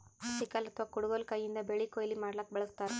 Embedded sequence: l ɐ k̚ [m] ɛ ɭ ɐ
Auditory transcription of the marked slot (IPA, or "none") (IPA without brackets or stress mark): b